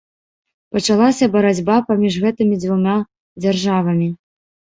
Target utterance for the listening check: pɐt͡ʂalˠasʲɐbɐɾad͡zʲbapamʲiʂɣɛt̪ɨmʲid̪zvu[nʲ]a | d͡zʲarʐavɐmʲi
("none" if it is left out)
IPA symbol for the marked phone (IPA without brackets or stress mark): mʲ